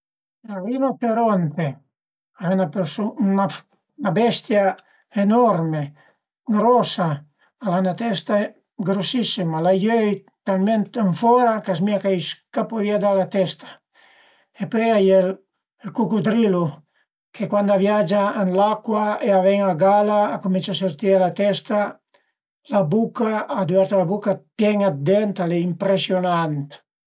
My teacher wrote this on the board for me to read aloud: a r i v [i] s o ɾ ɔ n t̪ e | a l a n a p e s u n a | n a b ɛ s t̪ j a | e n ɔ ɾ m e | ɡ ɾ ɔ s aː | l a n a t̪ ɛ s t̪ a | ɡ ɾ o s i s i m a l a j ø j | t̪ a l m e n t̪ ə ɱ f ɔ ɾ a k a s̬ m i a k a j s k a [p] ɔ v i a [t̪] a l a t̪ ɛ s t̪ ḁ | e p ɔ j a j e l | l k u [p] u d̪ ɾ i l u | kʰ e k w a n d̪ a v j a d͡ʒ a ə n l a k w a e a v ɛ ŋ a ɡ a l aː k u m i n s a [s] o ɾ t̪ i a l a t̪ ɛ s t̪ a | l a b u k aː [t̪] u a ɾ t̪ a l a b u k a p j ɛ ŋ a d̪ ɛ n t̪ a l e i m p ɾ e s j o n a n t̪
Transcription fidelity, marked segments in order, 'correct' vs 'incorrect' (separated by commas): incorrect, correct, incorrect, incorrect, correct, incorrect